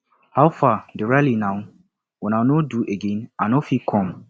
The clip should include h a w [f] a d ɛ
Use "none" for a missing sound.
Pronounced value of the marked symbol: f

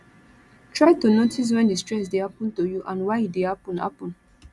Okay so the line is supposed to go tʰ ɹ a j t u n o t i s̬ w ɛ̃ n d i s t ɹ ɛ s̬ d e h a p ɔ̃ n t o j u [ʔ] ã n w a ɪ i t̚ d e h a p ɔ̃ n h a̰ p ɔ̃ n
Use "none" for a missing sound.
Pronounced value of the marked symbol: ʔ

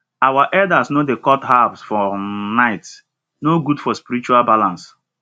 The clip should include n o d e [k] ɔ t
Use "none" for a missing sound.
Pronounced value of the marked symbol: k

